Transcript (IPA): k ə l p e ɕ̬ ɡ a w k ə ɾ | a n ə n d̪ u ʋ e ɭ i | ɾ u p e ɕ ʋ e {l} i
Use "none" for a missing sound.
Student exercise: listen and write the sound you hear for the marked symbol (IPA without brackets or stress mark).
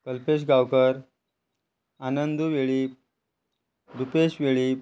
ɭ